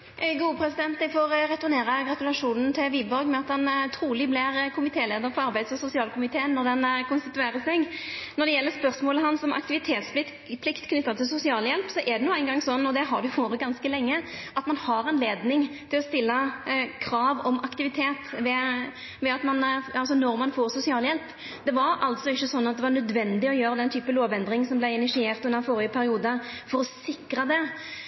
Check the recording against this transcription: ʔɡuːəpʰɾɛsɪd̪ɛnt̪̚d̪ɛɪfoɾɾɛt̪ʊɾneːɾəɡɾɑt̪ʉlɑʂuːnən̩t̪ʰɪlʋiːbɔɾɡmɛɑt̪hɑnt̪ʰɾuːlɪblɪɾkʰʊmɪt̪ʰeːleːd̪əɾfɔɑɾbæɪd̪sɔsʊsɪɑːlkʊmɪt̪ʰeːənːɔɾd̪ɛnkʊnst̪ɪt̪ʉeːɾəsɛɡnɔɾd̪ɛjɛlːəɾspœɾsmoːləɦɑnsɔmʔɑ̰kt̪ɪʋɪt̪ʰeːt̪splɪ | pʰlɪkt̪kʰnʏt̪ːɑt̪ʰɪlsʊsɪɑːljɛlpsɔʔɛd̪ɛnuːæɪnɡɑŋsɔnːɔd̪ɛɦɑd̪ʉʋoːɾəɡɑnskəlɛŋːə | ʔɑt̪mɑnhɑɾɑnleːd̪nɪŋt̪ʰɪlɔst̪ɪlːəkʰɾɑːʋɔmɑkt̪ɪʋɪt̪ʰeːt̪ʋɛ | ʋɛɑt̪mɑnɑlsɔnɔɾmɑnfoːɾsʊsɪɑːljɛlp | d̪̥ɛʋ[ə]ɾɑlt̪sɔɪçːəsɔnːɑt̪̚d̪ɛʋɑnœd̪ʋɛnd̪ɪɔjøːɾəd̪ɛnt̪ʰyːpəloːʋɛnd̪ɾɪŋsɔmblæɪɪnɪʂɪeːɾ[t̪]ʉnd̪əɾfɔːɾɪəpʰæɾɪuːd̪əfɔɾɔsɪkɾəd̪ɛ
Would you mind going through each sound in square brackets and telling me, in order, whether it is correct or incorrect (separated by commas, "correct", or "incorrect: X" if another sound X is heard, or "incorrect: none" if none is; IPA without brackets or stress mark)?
incorrect: ɑ, correct